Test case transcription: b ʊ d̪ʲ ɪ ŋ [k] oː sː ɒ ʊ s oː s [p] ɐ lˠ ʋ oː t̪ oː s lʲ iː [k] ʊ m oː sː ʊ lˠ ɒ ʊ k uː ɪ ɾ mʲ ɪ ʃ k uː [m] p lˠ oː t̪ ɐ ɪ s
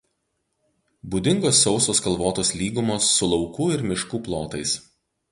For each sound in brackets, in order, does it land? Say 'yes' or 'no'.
no, no, no, no

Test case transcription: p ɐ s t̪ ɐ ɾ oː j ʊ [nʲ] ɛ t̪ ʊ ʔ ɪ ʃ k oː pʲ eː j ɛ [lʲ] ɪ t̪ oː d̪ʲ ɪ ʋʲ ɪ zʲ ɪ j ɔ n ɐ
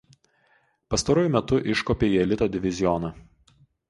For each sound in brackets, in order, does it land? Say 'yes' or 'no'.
no, yes

